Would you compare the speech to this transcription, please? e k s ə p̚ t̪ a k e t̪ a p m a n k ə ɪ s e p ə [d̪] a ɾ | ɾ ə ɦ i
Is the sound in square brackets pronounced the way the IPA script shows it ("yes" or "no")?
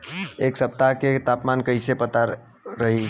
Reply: no